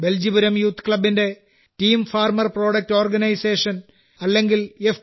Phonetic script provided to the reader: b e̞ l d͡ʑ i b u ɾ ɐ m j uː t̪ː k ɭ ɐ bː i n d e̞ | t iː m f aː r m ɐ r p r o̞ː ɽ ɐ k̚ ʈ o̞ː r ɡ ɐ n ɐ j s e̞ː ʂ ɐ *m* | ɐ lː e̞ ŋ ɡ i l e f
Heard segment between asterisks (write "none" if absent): n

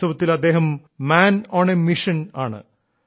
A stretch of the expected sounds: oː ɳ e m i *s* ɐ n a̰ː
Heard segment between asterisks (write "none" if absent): ʂ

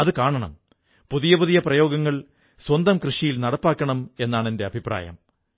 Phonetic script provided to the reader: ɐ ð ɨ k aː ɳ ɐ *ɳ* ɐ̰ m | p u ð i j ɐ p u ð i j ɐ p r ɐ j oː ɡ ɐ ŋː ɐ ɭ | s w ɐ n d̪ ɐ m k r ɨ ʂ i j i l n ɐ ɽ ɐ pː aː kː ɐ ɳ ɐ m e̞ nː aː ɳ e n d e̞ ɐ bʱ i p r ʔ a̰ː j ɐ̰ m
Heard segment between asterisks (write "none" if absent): ɳ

